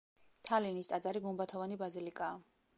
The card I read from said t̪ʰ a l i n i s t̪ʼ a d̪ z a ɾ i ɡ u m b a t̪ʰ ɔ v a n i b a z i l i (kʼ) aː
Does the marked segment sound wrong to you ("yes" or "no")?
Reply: no